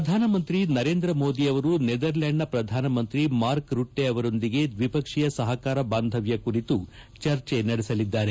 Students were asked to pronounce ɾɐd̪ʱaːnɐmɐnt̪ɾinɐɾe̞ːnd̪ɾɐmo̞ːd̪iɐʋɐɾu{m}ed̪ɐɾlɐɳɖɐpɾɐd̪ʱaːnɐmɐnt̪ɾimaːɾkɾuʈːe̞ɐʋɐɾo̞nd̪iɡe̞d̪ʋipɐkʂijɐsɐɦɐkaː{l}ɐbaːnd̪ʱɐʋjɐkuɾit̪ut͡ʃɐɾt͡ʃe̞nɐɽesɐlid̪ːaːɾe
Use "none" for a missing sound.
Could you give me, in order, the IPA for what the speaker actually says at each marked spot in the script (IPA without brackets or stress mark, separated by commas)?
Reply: n, ɾ